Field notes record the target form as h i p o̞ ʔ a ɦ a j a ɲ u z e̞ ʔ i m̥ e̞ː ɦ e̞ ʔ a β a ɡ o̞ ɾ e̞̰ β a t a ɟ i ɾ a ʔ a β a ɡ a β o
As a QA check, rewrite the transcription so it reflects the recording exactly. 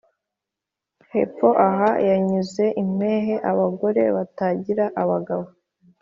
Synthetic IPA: h e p o̞ ʔ a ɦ a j a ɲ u z e̞ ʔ i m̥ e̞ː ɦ e̞ ʔ a β a ɡ o̞ ɾ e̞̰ β a t a ɟ i ɾ a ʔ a β a ɡ a β o